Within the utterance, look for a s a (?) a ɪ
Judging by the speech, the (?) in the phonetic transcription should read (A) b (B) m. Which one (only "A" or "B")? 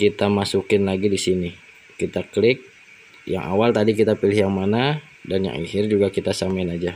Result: B